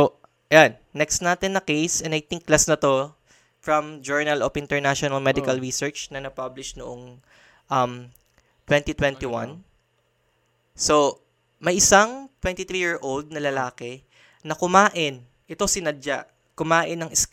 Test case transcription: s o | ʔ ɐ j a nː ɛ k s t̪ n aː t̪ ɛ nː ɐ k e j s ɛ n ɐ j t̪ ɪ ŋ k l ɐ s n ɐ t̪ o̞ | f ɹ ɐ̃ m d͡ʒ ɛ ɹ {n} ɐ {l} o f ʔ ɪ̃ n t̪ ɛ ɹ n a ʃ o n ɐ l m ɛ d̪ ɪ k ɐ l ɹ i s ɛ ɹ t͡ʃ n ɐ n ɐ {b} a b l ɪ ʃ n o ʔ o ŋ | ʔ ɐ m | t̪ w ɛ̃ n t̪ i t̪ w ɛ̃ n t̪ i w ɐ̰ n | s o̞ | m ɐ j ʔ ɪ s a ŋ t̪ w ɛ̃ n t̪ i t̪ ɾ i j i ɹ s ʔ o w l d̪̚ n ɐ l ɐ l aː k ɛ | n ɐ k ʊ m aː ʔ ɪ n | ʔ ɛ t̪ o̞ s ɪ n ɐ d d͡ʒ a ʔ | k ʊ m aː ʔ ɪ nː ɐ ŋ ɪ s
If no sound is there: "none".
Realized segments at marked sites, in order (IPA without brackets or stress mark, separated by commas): n, l, p